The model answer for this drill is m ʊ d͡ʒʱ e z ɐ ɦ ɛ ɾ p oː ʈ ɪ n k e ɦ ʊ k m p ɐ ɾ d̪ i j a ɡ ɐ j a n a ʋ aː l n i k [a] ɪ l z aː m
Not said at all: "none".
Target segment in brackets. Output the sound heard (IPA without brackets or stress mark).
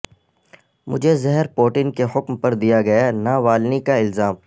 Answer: a